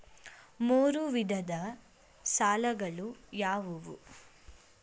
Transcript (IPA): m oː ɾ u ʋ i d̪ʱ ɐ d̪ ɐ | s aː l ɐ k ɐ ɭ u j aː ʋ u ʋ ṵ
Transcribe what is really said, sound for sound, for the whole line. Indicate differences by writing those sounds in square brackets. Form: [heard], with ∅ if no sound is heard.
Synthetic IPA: m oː ɾ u ʋ i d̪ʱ ɐ d̪ ɐ | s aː l ɐ [ɡ] ɐ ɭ u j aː ʋ u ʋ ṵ